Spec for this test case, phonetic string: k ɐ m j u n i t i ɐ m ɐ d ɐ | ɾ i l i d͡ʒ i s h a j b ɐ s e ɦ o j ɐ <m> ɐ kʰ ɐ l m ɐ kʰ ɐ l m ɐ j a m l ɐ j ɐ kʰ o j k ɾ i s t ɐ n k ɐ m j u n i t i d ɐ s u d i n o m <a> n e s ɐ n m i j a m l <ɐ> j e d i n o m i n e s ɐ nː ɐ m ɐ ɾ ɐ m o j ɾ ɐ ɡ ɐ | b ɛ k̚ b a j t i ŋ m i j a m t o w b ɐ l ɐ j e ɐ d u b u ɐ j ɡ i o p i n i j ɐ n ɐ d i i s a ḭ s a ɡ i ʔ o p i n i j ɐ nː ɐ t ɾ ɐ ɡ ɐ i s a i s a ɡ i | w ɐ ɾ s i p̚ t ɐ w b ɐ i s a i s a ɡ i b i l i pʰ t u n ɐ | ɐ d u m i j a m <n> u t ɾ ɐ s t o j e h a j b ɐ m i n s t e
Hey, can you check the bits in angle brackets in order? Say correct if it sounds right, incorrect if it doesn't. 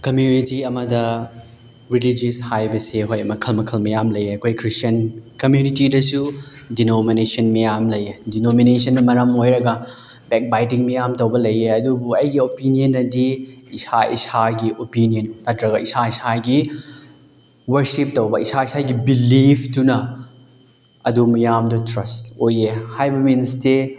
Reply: correct, incorrect: i, correct, incorrect: d

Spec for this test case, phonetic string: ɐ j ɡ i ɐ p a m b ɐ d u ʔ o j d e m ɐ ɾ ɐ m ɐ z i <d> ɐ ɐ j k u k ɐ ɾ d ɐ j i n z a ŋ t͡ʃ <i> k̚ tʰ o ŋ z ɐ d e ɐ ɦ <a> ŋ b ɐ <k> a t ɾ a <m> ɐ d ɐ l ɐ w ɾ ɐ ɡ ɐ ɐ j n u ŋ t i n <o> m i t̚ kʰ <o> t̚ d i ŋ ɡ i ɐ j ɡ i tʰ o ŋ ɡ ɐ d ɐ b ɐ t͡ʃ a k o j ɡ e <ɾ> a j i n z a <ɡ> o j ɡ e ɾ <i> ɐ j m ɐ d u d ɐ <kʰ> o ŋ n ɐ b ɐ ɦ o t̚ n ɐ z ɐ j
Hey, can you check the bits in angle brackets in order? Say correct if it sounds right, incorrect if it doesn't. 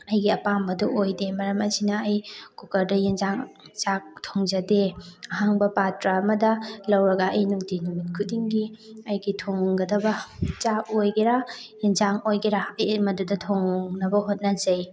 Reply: incorrect: n, incorrect: a, correct, incorrect: p, correct, incorrect: u, incorrect: u, correct, incorrect: ŋ, incorrect: a, incorrect: tʰ

